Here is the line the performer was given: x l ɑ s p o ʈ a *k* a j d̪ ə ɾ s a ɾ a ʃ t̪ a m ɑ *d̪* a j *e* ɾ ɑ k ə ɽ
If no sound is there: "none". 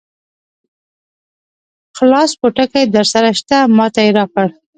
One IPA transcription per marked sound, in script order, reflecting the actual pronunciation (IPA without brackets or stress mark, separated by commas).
k, t̪, e